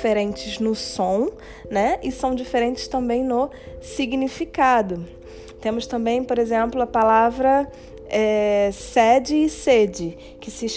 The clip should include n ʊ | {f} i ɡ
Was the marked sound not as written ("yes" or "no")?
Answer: yes